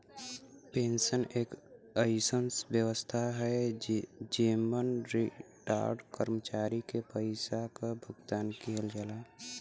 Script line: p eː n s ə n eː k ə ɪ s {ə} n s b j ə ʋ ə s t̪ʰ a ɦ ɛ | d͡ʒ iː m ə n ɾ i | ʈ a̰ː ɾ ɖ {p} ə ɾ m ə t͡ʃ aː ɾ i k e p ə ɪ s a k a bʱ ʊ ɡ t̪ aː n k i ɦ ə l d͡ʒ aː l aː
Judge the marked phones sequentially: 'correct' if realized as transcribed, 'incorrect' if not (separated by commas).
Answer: correct, incorrect